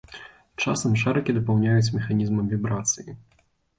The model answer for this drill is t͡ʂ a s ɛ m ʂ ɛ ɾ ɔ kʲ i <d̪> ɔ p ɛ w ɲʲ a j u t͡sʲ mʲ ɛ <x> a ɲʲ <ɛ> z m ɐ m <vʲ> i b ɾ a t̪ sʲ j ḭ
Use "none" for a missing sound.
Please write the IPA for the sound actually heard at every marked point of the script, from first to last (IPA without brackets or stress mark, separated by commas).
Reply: d̪, x, i, vʲ